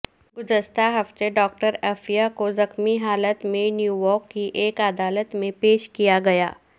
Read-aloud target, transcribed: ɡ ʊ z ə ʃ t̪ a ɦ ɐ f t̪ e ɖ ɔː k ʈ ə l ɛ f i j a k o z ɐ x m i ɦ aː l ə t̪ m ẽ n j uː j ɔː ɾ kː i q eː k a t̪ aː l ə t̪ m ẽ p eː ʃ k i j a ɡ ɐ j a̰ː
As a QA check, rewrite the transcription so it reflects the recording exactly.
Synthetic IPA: ɡ ʊ z ə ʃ t̪ a ɦ ɐ f t̪ e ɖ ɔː k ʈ ə ɾ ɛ f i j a k o z ɐ x m i ɦ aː l ə t̪ m ẽ n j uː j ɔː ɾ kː i ʔ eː k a d̪ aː l ə t̪ m ẽ p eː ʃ k i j a ɡ ɐ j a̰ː